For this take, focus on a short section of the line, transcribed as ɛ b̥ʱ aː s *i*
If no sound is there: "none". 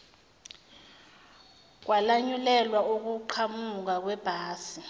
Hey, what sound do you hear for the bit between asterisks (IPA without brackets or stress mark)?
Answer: i